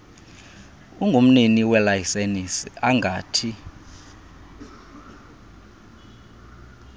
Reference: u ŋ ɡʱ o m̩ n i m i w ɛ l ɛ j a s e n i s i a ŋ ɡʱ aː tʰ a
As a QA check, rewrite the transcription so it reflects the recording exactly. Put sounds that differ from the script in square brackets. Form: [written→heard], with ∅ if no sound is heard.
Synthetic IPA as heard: u ŋ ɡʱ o m̩ n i [m→n] i w ɛ l [ɛ→a] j [a→i] s e n i s i a ŋ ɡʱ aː tʰ [a→i]